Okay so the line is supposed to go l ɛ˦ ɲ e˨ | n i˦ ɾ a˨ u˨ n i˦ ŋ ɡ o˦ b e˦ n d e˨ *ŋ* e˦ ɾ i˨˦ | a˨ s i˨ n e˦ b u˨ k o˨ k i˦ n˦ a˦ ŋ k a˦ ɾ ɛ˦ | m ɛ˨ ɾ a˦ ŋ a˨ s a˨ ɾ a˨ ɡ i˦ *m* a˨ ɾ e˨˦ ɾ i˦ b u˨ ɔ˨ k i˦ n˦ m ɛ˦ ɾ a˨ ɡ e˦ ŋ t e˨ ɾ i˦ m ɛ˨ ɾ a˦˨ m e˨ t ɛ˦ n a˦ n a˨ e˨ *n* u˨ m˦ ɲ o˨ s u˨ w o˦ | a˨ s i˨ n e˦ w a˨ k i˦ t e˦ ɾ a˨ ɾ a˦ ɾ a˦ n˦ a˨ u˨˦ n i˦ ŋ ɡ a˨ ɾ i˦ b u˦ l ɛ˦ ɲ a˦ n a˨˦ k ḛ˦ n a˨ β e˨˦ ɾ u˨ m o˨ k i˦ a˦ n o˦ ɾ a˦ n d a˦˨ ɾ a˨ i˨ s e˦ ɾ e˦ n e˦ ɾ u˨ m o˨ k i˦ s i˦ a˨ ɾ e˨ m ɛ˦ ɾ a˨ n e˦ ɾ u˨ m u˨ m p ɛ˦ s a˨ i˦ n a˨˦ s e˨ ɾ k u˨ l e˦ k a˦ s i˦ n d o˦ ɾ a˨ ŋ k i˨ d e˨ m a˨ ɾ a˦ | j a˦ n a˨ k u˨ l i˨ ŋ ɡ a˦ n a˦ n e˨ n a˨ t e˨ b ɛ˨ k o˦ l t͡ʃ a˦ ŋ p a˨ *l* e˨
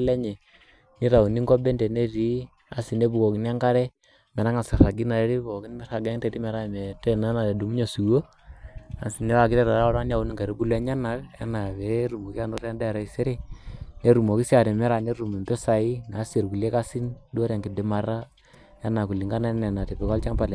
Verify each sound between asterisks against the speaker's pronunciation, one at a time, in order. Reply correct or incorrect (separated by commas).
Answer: incorrect, incorrect, incorrect, correct